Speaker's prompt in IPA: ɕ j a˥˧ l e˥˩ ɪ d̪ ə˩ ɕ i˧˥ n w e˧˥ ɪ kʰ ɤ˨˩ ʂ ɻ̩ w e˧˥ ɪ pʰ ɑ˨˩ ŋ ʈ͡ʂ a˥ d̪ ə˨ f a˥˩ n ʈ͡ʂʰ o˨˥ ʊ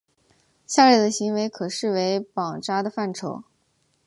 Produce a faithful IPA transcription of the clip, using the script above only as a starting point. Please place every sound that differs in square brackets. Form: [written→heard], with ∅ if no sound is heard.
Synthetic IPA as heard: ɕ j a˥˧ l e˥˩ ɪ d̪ ə˩ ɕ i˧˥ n w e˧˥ ɪ kʰ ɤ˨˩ ʂ ɻ̩ w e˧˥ ɪ [pʰ→p] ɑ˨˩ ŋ ʈ͡ʂ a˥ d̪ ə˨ f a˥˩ n ʈ͡ʂʰ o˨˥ ʊ